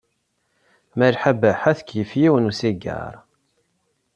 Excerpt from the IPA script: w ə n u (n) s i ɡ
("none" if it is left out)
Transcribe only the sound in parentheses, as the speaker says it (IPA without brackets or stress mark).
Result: none